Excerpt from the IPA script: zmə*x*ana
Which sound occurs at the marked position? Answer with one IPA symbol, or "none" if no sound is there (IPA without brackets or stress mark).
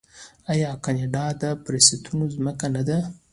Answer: k